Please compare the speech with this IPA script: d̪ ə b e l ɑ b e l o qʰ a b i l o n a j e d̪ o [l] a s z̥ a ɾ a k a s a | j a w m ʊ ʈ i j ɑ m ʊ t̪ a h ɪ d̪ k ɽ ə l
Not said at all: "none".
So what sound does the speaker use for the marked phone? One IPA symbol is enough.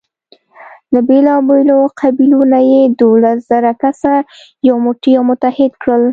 l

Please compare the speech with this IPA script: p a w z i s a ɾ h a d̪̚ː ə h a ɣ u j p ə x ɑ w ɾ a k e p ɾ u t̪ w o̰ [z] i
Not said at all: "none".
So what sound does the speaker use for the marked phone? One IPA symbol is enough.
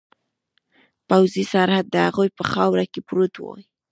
none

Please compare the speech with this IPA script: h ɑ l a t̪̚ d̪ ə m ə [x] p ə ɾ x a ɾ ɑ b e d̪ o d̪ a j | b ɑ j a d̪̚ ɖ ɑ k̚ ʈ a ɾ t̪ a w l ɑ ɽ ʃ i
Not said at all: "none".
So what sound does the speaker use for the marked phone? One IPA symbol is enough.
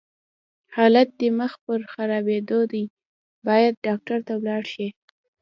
x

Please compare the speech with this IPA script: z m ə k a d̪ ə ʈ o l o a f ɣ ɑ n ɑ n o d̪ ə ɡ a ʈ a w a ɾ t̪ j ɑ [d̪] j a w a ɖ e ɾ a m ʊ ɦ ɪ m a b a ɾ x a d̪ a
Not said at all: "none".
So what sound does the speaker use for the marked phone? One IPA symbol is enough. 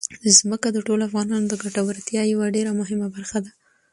none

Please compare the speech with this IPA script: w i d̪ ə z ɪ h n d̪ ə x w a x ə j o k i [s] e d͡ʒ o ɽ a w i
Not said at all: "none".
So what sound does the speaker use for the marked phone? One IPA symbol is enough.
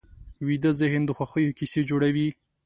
s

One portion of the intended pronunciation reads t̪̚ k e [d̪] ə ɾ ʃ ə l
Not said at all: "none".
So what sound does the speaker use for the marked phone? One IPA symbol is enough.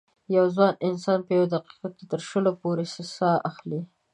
t̪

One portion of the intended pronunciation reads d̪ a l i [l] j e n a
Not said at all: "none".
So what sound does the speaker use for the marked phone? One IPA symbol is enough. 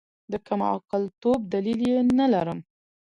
l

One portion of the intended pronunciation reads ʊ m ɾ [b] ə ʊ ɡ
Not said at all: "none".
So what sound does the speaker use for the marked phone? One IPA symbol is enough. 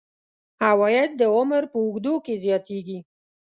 p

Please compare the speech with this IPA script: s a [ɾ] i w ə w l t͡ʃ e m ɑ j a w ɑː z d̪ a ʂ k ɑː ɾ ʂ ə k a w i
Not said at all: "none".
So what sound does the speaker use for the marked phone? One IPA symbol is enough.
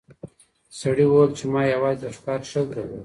ɽ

